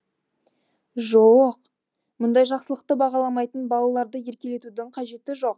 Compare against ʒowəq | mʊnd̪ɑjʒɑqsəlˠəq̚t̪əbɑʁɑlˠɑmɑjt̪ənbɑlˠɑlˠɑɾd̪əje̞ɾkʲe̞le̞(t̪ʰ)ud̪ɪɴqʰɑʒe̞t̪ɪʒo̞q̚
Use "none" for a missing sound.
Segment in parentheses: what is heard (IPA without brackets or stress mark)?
t̪